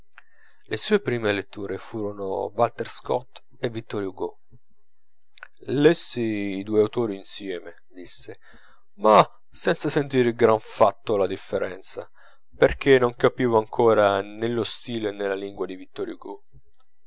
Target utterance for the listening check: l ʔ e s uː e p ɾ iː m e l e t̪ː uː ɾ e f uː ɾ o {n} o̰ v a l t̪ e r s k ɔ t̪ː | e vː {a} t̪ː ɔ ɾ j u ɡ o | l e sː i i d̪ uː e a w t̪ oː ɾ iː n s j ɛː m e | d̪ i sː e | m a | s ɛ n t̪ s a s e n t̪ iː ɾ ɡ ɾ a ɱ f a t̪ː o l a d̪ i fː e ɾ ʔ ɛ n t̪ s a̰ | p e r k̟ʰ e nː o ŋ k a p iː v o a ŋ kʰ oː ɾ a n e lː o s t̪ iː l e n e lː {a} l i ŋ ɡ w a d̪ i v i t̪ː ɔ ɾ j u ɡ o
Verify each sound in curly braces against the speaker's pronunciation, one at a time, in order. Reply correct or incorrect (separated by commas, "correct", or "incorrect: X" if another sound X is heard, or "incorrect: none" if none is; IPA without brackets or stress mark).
correct, incorrect: i, correct